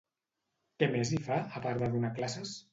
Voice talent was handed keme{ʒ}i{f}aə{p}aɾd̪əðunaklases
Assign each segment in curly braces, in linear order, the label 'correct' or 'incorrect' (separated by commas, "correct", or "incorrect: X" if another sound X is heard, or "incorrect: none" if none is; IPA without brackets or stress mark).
incorrect: z, correct, correct